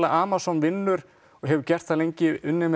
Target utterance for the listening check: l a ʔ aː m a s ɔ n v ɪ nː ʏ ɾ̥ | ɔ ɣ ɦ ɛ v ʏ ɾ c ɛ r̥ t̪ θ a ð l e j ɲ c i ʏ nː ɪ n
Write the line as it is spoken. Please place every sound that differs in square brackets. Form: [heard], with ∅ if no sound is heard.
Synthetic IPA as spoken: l a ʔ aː m a s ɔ n v ɪ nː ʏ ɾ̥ | ɔ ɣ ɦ ɛ v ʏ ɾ c ɛ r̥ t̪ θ a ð l e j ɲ c [ɪ] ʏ nː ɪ [m]